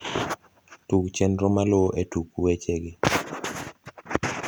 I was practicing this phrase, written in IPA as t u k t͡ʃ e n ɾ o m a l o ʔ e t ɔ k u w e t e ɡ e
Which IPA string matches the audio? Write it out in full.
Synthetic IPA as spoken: t u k t͡ʃ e n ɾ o m a l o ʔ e t u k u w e t͡ʃ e ɡ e